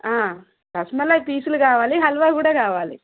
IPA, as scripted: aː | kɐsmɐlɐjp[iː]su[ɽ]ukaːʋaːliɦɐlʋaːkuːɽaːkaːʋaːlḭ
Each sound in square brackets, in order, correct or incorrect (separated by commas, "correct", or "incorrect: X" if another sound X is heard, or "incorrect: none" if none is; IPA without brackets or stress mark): correct, incorrect: l